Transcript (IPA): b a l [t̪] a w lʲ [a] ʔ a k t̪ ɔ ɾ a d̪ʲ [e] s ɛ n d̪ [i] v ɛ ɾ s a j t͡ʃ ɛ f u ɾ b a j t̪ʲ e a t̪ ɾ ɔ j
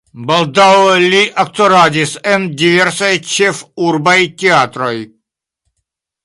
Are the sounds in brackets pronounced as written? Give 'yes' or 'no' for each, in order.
no, no, no, yes

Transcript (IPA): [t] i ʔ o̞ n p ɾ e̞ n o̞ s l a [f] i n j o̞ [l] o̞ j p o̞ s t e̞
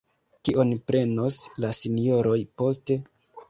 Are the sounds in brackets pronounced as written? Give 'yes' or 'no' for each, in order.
no, no, no

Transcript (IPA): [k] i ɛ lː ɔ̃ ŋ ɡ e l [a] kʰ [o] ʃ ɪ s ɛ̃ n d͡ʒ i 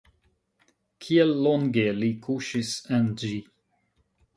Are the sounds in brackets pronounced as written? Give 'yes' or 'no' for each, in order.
no, no, no

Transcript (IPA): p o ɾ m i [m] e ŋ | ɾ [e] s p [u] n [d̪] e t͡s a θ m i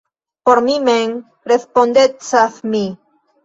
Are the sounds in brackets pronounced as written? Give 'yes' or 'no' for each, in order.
yes, yes, no, yes

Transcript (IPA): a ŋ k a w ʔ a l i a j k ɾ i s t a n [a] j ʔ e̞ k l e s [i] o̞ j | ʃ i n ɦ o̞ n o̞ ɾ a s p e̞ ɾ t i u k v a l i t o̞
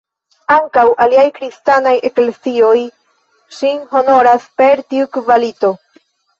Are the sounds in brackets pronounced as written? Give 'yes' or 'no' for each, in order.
yes, yes

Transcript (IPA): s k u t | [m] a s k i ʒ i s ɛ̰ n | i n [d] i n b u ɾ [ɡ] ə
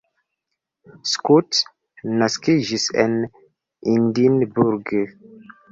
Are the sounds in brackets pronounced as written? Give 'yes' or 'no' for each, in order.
no, yes, yes

